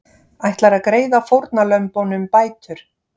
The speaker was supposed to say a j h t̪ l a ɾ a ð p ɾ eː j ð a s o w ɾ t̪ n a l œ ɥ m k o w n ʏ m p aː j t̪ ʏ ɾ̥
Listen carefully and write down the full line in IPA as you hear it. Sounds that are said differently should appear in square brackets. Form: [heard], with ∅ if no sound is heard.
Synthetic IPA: a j h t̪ l a ɾ a ð [k] ɾ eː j ð a [f] o w ɾ t̪ n a l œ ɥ m [p] o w n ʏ m p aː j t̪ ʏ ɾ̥